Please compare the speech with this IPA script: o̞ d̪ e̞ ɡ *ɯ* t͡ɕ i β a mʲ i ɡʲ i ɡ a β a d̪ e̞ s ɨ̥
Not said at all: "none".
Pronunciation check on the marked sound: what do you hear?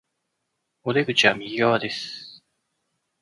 ɯ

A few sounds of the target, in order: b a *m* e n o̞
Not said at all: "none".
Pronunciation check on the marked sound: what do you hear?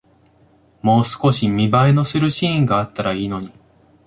none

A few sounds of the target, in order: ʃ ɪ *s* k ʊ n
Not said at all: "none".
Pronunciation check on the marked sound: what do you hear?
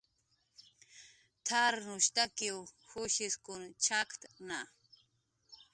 s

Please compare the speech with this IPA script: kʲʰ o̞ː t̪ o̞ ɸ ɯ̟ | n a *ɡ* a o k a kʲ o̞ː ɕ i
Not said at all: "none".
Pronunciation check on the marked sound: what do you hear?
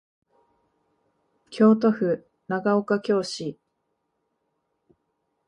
ɡ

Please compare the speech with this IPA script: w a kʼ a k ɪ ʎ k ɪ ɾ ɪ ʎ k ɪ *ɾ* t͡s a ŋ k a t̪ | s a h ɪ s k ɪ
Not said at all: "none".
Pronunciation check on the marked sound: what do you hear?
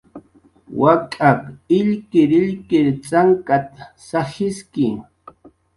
ɾ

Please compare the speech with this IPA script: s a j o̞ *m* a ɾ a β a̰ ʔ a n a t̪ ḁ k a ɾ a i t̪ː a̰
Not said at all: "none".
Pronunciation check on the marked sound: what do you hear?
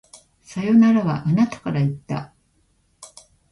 n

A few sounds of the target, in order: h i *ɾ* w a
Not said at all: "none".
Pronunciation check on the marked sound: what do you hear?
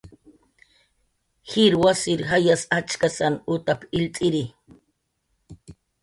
ɾ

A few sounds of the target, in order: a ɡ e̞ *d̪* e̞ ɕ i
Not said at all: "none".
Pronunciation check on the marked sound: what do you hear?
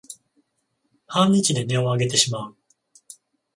t̪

